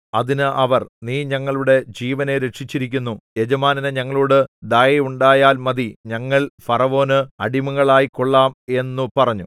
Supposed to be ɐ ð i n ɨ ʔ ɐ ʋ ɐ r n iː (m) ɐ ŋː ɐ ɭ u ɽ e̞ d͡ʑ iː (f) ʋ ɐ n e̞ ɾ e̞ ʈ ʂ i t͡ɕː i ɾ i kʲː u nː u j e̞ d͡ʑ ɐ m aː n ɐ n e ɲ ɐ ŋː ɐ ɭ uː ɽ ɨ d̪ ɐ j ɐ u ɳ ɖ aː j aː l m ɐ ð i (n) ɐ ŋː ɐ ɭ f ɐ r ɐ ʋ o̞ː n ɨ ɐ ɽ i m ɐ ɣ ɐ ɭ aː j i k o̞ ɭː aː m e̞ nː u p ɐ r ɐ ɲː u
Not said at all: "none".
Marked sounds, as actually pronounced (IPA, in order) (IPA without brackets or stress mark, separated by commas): ɲ, none, ɲ